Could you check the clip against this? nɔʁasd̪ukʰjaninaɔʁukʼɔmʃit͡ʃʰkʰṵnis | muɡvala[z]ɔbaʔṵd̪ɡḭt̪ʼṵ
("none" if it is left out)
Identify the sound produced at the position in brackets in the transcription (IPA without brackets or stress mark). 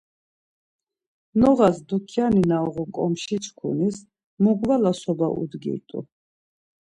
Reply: s